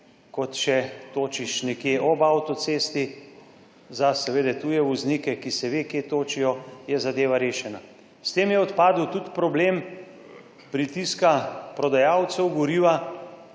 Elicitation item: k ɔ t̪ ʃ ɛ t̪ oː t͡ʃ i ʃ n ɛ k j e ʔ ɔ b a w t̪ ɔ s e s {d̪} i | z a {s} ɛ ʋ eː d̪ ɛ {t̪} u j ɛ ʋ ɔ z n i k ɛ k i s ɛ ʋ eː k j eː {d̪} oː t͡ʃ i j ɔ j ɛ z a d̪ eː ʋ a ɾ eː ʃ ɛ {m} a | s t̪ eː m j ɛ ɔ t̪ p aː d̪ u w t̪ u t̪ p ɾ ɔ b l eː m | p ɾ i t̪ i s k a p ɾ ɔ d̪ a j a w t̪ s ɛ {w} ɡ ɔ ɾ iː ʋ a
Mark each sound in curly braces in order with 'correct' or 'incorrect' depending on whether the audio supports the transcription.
incorrect: t̪, correct, correct, incorrect: t̪, incorrect: n, correct

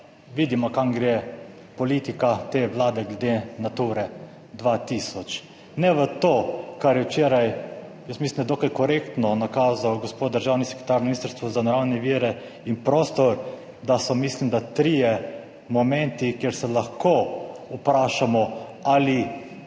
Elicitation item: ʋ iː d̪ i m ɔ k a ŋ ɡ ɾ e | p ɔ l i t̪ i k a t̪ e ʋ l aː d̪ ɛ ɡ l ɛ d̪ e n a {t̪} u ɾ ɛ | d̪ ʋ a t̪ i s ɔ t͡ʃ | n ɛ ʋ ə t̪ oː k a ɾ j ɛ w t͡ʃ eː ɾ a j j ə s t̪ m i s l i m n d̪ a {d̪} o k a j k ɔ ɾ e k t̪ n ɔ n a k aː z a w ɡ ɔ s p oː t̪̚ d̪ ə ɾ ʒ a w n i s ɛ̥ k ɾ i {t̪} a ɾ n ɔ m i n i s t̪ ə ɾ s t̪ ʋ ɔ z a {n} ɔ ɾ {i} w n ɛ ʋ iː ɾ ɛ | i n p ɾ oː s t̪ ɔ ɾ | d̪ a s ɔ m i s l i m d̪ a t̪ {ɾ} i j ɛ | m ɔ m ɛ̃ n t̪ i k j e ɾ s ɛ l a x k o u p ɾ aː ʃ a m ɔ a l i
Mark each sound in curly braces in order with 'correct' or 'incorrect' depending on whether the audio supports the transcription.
correct, correct, correct, correct, incorrect: a, correct

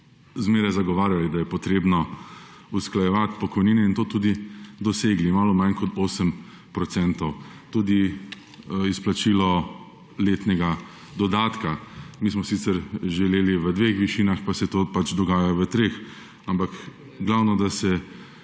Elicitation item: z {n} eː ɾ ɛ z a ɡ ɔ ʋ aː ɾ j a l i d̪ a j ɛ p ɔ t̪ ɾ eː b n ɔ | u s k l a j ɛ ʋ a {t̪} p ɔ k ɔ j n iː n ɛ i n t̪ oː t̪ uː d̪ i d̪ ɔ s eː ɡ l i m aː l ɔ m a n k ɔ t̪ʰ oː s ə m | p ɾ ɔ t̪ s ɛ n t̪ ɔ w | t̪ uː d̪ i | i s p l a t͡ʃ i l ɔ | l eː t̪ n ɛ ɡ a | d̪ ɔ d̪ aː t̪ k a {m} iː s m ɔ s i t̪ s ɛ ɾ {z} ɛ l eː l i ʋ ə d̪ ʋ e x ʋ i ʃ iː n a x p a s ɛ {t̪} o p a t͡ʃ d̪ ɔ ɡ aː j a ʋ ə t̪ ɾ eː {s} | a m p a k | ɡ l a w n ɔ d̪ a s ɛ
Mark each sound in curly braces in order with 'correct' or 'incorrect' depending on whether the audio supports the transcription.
incorrect: m, correct, correct, incorrect: ʒ, correct, incorrect: x

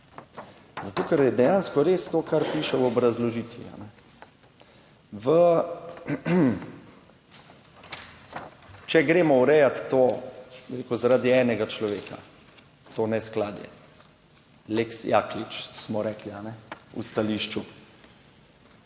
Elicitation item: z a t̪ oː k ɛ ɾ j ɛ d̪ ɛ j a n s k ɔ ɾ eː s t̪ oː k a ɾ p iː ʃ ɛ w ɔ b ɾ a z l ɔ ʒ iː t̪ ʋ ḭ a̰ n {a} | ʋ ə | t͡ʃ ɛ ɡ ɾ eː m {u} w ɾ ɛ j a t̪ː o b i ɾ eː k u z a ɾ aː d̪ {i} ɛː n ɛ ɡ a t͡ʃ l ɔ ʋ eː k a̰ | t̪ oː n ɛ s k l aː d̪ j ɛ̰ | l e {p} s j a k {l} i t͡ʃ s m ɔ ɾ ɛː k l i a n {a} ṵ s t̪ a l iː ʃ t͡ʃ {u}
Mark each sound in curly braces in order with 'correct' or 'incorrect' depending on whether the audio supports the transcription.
incorrect: ɛ, incorrect: ɔ, correct, incorrect: k, correct, incorrect: ɛ, correct

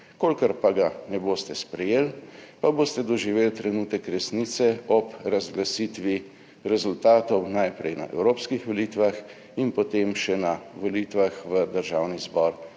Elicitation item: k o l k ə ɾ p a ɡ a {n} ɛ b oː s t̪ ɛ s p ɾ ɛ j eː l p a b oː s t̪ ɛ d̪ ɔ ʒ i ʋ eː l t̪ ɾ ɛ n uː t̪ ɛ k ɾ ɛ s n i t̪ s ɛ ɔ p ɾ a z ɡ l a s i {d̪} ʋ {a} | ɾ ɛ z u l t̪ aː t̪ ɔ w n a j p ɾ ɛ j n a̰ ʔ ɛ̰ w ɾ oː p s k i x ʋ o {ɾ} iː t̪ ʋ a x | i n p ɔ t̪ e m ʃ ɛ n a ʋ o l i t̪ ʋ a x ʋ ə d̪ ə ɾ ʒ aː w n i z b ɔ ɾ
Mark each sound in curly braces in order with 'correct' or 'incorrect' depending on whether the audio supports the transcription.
correct, incorrect: t̪, incorrect: i, incorrect: l

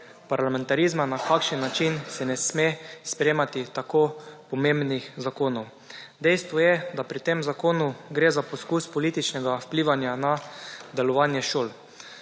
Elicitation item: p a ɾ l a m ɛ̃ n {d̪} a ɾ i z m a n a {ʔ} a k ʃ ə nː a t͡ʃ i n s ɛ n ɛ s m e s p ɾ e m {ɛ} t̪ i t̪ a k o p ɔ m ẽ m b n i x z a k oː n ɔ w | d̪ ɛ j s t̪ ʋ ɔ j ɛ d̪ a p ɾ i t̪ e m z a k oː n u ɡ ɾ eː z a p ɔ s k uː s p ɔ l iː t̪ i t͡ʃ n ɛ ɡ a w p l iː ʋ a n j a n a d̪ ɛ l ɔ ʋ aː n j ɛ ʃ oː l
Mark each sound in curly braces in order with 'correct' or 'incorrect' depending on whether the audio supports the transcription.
incorrect: t̪, incorrect: k, incorrect: a

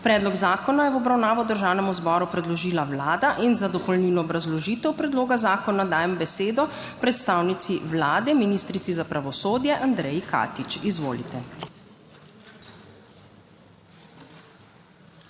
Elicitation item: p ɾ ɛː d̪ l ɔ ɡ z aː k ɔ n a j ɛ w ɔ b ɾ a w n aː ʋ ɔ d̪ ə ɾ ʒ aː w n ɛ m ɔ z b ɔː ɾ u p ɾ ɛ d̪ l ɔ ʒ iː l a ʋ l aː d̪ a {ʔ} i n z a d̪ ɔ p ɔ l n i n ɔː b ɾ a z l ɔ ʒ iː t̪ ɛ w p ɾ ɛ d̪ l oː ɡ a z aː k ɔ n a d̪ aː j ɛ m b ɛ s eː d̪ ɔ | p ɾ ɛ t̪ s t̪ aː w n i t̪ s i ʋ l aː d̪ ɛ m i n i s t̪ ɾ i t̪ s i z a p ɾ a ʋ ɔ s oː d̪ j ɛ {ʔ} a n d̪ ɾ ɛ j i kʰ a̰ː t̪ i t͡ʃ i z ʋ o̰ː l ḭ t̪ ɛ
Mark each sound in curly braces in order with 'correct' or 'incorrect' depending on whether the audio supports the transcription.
correct, correct

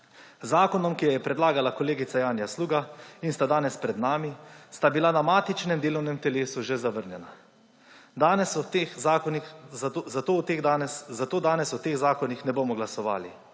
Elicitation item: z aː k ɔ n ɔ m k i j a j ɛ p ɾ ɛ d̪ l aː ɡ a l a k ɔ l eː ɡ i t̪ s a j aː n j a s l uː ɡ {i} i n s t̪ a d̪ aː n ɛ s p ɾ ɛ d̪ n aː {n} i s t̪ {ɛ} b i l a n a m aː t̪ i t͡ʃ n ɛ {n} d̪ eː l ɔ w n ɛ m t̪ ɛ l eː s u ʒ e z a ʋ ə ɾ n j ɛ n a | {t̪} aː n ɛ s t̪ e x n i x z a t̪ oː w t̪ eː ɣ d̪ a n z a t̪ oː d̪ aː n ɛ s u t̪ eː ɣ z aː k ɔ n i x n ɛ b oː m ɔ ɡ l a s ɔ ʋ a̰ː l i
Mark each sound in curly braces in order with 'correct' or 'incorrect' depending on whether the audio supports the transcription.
incorrect: a, incorrect: m, incorrect: a, incorrect: m, incorrect: d̪

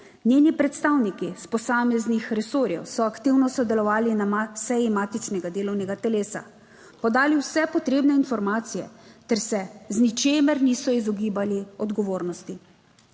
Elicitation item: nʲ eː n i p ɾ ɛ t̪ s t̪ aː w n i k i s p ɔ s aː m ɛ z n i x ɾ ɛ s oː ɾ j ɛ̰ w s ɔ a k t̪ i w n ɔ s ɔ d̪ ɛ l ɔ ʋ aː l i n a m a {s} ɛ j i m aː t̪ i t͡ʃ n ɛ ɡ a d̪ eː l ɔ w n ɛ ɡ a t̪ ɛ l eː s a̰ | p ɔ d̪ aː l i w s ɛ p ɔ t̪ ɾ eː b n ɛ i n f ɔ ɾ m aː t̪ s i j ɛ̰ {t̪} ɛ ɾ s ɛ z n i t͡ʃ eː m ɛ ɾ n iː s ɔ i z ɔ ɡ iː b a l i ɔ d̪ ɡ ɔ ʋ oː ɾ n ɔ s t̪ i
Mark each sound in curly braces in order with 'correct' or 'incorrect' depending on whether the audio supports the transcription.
correct, correct

